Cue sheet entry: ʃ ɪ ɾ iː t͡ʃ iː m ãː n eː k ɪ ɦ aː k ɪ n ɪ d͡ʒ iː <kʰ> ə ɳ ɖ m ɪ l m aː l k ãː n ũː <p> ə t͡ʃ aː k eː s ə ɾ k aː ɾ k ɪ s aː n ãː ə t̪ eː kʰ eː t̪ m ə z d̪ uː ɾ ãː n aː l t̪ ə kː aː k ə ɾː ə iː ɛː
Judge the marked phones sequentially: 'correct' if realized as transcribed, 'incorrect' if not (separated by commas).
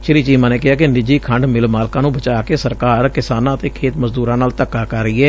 correct, incorrect